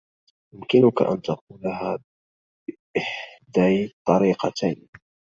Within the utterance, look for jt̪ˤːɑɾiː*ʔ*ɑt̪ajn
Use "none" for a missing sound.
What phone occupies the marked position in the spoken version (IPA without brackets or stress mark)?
q